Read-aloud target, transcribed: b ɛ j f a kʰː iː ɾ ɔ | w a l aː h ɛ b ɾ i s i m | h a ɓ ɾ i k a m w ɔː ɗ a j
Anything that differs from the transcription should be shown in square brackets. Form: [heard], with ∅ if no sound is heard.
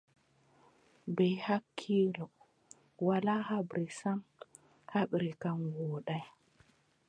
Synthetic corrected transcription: b ɛ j [h] a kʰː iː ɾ ɔ | w a l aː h [a] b ɾ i s [a] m | h a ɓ ɾ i k a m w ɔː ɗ a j